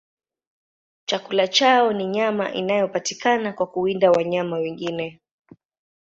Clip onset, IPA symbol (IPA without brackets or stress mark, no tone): t͡ʃ